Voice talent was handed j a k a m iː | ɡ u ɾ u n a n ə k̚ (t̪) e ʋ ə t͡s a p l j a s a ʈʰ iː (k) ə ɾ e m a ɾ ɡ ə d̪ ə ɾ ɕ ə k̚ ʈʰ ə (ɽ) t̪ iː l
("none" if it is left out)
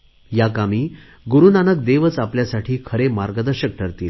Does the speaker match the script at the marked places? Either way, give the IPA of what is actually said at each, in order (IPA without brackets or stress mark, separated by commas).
d̪, kʰ, ɾ